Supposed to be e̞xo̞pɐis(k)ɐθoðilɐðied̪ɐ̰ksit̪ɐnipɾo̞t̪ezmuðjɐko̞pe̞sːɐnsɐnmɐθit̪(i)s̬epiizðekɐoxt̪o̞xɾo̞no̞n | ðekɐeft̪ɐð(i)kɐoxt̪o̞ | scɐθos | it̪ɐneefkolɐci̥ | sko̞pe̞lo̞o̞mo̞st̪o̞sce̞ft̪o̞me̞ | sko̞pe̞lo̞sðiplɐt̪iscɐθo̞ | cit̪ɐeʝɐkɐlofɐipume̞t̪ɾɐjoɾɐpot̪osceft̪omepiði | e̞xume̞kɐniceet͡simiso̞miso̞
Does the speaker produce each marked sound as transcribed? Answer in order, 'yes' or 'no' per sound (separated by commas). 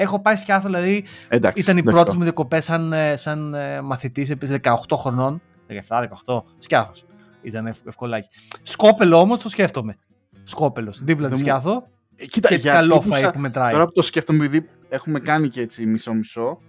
no, yes, no